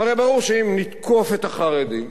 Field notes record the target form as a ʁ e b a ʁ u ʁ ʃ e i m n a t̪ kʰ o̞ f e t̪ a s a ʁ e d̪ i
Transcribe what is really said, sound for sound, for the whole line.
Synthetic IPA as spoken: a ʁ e b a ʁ u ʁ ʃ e i m n i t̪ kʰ o̞ f e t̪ a χ a ʁ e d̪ i